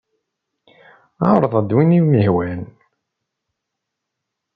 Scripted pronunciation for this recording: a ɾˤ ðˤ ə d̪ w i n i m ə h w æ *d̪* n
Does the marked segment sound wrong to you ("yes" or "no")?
yes